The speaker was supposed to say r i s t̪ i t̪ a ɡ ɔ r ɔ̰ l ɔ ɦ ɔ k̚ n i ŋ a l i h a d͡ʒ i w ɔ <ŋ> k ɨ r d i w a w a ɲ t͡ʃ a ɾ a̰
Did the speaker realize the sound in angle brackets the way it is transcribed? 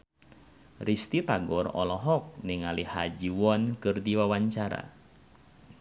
no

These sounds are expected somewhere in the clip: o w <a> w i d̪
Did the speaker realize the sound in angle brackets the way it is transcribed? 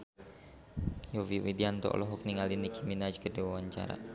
no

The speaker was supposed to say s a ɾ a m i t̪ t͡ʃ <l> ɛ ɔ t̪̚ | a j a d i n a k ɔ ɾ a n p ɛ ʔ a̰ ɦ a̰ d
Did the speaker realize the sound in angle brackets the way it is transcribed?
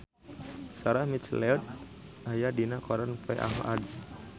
yes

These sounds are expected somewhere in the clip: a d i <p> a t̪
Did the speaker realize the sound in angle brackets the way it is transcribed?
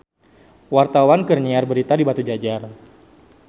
no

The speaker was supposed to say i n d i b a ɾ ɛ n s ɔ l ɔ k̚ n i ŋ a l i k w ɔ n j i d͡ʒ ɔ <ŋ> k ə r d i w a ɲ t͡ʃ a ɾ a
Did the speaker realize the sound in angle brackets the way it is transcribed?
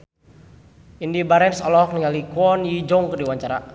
yes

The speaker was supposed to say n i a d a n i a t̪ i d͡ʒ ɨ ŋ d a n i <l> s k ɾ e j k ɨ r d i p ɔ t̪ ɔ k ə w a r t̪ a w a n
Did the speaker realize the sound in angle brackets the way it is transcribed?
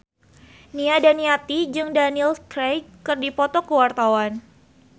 yes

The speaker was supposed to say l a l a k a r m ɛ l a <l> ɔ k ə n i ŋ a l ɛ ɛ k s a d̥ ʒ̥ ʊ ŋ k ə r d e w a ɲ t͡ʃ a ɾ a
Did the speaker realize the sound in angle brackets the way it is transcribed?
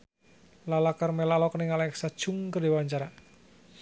yes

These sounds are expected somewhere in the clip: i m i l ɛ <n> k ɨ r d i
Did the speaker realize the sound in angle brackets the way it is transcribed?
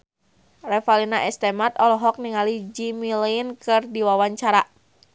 yes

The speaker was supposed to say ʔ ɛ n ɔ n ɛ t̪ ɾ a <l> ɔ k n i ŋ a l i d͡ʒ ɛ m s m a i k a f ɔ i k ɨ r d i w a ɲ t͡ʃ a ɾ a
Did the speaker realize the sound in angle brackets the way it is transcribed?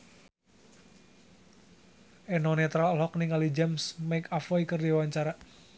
yes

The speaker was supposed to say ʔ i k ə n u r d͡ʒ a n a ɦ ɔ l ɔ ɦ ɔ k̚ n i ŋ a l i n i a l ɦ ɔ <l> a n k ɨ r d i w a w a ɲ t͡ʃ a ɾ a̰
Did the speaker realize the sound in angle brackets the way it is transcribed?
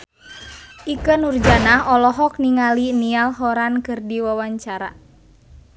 no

